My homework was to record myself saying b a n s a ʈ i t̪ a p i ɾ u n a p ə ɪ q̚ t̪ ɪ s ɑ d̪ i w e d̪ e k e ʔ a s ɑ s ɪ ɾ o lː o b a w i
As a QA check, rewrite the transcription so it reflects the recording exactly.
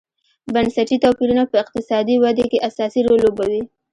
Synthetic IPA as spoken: b a n s a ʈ i t̪ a p i ɾ u n a p ə ɪ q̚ t̪ ɪ s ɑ d̪ i w a d̪ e k e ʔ a s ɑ s i ɾ o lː o b a w i

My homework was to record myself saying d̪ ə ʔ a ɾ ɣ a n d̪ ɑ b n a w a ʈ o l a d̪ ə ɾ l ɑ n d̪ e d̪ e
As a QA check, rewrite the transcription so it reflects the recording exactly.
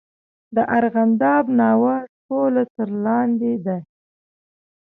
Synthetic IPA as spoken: d̪ ə ʔ a ɾ ɣ a n d̪ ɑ b n ɑ w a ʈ o l a t̪ ə ɾ l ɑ n d̪ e d̪ a

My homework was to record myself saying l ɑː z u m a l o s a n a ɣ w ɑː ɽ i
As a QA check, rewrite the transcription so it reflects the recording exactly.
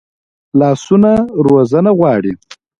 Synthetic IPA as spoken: l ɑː s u n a ɾ o z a n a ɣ w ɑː ɽ i

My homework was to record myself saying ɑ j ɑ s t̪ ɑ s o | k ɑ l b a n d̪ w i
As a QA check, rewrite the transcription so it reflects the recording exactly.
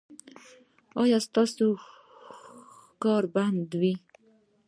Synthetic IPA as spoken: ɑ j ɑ s t̪ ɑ s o | k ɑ ɾ b a n d̪ w i

